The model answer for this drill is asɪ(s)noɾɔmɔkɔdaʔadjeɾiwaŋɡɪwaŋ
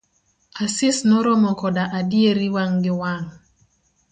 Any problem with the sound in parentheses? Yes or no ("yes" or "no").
no